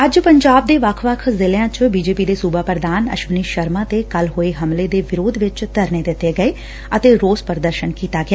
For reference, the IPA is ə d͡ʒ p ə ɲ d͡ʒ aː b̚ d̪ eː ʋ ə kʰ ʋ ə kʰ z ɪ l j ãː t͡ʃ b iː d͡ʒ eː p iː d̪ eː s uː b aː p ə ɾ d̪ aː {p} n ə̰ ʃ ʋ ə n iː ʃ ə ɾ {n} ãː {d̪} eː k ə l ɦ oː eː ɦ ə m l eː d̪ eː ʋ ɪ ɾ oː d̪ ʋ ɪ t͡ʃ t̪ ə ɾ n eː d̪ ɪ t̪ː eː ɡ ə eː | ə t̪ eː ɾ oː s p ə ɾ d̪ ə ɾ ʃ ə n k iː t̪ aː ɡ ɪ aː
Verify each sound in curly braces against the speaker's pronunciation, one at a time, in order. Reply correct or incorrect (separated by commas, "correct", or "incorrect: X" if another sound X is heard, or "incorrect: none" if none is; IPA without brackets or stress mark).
incorrect: none, incorrect: m, incorrect: t̪